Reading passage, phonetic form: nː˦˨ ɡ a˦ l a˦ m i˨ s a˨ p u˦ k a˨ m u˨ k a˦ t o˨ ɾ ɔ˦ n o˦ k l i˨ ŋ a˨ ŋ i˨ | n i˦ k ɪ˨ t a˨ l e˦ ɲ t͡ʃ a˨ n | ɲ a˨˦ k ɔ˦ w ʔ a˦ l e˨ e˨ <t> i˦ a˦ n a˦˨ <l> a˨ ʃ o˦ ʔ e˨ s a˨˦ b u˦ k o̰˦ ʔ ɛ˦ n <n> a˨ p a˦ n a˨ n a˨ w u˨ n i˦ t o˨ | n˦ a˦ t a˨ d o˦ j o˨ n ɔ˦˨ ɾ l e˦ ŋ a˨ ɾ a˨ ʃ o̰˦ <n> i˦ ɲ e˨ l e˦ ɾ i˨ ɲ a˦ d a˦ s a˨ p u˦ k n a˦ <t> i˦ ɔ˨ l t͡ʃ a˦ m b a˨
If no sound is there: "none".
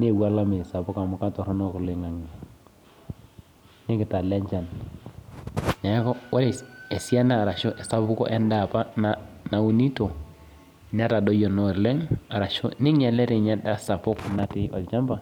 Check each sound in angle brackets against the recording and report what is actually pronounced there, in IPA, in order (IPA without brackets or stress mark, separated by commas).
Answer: s, ɾ, d, n, t